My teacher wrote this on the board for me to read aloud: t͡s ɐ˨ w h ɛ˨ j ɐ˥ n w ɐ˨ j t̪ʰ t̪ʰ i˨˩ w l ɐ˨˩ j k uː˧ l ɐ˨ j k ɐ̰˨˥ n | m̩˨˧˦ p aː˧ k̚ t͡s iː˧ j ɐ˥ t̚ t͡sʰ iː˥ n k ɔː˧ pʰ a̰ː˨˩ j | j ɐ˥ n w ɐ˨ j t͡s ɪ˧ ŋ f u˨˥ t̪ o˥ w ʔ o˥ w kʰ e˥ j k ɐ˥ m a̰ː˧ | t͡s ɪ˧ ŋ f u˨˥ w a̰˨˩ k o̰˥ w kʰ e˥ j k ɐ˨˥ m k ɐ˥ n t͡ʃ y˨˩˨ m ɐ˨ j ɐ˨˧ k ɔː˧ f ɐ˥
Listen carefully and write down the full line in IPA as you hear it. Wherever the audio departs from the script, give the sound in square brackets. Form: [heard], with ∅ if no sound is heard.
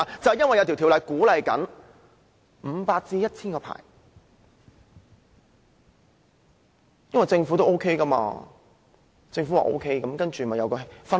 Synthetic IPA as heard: t͡s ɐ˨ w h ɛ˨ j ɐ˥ n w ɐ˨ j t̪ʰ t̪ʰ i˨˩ w l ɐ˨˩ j k [uː˨˥] l ɐ˨ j k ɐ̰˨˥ n | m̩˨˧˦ p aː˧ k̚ t͡s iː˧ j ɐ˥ t̚ t͡sʰ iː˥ n k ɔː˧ pʰ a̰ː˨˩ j | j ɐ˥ n w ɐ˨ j t͡s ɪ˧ ŋ f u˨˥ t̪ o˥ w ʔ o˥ w kʰ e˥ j k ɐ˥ m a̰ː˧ | t͡s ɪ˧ ŋ f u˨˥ w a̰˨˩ [ʔ] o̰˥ w kʰ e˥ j k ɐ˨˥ m k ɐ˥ n t͡ʃ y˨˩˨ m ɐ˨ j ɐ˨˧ k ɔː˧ f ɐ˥